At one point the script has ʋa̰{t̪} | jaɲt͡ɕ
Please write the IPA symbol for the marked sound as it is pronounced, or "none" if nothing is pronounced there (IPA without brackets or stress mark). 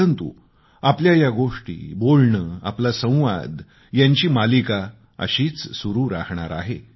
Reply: d̪